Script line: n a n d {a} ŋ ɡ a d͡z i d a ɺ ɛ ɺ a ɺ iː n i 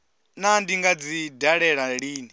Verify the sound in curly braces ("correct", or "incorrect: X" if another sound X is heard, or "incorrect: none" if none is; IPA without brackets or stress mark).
incorrect: i